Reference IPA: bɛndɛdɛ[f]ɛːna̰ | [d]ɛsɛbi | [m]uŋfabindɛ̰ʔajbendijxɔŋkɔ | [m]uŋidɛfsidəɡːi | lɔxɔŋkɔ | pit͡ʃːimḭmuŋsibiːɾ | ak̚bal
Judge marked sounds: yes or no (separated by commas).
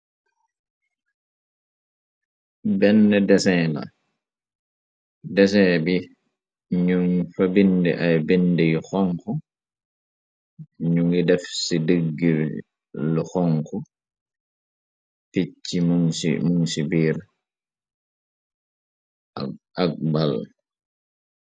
no, yes, no, no